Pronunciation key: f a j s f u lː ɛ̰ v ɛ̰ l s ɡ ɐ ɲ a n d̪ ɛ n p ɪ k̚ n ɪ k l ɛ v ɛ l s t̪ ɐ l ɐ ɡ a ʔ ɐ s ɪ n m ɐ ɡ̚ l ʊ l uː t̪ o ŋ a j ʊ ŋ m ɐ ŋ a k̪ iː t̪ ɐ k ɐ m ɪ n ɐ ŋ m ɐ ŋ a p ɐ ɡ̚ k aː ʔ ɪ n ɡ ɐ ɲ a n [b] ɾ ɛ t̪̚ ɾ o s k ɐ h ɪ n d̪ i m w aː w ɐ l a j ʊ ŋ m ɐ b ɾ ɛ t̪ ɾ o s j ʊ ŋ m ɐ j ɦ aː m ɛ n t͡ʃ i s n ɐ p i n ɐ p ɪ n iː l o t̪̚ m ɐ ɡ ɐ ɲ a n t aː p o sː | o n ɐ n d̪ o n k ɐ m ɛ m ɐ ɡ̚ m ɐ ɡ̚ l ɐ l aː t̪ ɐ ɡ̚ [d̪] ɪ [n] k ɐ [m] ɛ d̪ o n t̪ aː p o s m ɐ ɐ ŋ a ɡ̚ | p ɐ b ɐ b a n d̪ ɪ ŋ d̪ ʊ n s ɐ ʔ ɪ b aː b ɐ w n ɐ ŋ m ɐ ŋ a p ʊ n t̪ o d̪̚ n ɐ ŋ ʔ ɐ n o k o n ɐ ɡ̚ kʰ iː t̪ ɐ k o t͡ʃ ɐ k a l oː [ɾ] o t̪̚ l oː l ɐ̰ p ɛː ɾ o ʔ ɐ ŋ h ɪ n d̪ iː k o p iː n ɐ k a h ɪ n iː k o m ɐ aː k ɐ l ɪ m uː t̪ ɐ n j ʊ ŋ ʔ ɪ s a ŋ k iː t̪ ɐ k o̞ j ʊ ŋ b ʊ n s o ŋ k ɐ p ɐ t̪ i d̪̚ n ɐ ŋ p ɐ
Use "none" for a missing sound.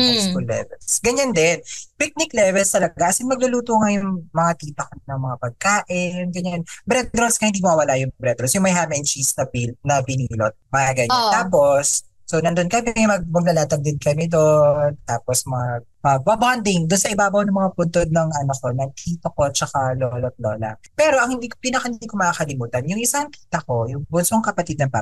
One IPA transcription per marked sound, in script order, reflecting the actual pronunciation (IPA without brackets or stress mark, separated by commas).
b, d̪, n, m, l